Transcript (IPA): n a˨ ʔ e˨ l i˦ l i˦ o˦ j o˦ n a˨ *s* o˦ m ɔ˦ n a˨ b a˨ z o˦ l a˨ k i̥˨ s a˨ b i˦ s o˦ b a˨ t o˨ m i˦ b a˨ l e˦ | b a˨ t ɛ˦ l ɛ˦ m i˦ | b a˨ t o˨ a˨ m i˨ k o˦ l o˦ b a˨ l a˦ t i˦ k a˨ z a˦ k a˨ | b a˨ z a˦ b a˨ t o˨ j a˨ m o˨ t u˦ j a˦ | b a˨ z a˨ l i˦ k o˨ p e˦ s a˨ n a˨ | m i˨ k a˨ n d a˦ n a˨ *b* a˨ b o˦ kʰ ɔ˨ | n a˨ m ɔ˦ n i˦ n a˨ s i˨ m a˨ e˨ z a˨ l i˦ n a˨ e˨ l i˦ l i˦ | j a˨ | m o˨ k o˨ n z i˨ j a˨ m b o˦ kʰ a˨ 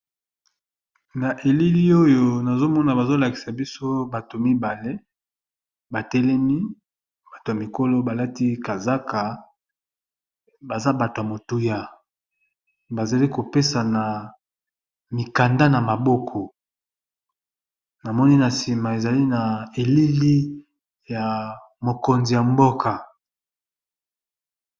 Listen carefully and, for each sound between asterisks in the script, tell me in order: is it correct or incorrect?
incorrect: z, incorrect: m

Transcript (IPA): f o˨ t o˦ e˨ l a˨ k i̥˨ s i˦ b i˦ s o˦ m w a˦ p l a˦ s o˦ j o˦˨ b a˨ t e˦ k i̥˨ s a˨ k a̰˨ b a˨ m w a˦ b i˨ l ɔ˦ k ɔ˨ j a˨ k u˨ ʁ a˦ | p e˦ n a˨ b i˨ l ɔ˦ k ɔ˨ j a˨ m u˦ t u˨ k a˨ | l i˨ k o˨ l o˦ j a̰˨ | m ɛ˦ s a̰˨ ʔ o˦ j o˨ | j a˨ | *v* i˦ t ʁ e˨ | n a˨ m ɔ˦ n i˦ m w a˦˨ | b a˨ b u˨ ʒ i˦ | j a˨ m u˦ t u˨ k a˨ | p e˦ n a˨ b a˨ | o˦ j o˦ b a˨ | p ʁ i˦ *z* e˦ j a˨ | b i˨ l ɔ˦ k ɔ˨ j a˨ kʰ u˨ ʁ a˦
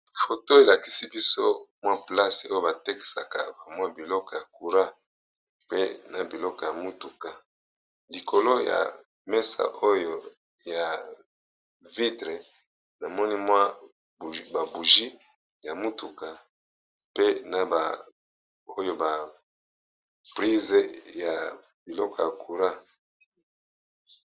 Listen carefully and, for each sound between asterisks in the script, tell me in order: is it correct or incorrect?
correct, correct

